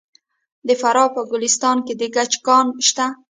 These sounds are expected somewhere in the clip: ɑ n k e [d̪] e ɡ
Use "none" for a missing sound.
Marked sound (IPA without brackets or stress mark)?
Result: d̪